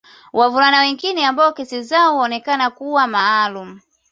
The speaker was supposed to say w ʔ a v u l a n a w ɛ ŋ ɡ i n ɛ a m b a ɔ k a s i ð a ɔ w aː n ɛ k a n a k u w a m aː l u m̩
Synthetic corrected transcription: w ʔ a v u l a n a w ɛ ŋ ɡ i n ɛ a m b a ɔ k ɛ s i z a ɔ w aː n ɛ k a n a k u w a m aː l u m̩